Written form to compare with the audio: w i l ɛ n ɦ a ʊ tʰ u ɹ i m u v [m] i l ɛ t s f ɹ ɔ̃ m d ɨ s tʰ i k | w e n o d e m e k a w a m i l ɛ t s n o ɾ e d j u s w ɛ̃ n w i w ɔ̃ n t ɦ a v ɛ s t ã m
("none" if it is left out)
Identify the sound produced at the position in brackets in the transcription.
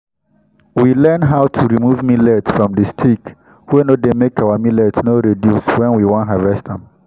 m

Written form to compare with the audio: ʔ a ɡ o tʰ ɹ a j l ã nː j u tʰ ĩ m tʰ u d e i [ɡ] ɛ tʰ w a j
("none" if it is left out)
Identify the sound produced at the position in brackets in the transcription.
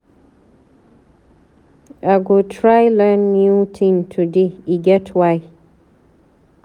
ɡ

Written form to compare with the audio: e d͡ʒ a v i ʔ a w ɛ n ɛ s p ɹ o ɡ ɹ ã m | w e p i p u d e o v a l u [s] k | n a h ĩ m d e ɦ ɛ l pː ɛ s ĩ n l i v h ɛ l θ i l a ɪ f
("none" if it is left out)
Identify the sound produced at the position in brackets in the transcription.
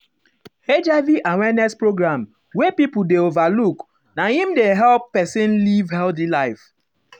none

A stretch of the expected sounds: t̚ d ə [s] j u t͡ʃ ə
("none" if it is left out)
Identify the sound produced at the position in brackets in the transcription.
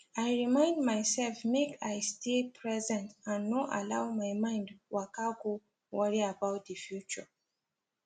f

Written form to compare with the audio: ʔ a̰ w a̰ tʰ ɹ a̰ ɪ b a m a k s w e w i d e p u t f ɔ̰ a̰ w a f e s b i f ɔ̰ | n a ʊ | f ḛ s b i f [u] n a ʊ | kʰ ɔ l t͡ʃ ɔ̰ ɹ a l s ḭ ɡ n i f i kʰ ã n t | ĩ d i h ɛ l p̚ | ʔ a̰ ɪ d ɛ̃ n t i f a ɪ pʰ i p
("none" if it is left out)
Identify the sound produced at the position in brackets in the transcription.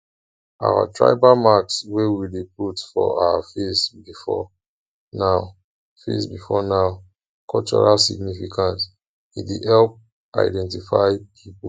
ɔ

